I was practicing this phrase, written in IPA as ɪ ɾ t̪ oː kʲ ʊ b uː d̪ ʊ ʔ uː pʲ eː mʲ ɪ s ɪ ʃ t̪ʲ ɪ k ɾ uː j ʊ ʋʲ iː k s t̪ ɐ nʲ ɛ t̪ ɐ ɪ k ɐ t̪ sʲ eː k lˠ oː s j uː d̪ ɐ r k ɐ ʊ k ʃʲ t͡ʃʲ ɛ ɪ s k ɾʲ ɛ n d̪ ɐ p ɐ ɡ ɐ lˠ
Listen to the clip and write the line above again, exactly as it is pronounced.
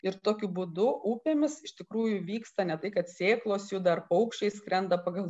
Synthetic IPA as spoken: ɪ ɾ t̪ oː kʲ ʊ b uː d̪ ʊ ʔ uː pʲ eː mʲ ɪ s ɪ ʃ t̪ʲ ɪ k ɾ uː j ʊ ʋʲ iː k s t̪ ɐ nʲ ɛ t̪ ɐ ɪ k ɐ t̪ sʲ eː k lˠ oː s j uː d̪ ɐ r p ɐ ʊ k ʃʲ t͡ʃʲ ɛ ɪ s k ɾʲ ɛ n d̪ ɐ p ɐ ɡ ɐ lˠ